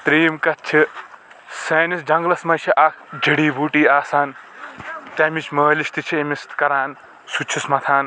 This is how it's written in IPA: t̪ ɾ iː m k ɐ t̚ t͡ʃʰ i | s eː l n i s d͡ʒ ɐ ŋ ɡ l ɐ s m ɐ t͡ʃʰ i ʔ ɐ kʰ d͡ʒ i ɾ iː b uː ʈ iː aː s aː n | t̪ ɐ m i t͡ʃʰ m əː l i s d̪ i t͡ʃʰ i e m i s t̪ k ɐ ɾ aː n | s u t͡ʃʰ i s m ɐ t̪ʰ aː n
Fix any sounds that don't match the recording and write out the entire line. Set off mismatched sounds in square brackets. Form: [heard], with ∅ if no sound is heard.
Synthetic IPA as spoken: t̪ ɾ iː m k ɐ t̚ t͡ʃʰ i | s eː [∅] n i s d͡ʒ ɐ ŋ ɡ l ɐ s m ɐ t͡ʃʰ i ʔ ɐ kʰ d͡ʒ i [ɽ] iː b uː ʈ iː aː s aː n | t̪ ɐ m i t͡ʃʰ m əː l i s [t̪] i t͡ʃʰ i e m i s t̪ k ɐ ɾ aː n | s u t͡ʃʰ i s m ɐ t̪ʰ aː n